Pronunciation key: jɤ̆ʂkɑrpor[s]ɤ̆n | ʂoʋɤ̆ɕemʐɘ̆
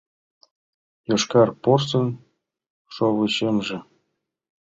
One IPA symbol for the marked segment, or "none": s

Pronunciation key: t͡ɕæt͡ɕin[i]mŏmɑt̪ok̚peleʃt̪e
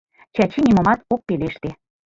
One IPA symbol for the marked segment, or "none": i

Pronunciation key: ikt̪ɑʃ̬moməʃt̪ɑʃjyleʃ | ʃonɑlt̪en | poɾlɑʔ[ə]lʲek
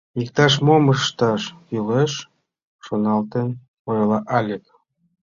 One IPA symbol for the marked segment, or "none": ɑ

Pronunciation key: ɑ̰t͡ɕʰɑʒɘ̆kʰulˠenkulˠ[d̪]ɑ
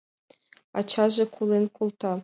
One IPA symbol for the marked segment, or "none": t̪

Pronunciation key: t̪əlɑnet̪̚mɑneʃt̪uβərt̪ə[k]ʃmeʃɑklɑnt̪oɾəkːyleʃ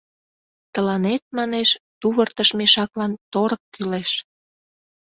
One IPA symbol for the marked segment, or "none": none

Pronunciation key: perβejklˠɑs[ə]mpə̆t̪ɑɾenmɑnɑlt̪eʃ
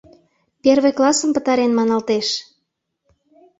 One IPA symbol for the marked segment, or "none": ə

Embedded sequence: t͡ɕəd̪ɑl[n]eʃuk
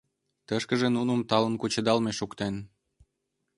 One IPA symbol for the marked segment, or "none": m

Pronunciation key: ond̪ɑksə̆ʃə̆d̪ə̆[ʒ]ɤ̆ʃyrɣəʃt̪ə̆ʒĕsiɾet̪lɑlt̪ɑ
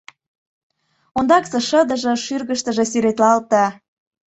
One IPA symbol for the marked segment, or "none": ʒ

